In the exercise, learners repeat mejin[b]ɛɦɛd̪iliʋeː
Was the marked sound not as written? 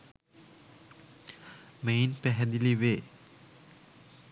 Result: yes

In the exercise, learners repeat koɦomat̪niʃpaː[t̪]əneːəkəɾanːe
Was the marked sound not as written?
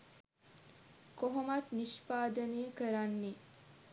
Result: yes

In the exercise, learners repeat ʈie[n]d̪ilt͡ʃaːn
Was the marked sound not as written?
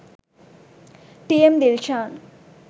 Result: yes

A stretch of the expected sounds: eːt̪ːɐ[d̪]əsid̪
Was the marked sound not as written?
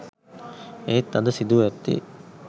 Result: no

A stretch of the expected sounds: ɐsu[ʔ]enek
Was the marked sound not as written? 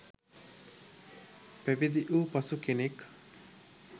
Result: yes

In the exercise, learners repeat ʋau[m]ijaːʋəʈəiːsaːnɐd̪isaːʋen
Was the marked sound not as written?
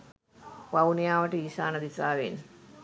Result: yes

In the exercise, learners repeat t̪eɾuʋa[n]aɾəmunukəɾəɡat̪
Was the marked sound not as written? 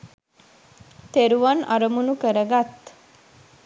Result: no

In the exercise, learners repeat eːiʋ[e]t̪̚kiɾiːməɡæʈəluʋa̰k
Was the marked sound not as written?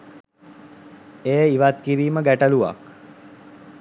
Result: yes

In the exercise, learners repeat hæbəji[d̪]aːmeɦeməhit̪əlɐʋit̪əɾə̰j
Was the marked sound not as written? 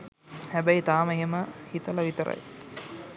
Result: yes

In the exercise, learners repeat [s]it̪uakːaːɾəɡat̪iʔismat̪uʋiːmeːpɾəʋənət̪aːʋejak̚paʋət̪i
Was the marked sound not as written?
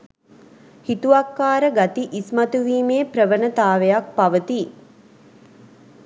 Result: yes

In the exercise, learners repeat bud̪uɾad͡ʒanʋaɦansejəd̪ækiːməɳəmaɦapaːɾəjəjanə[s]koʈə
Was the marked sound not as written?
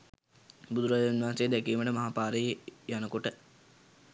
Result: yes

